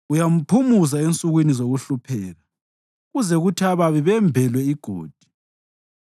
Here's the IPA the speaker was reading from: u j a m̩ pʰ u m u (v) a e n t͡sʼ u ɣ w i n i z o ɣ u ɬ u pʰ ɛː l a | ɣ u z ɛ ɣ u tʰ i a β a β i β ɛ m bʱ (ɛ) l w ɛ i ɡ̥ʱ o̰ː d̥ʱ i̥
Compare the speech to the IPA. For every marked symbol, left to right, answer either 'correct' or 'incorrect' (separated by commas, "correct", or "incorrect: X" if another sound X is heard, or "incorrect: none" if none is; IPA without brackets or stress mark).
incorrect: z, correct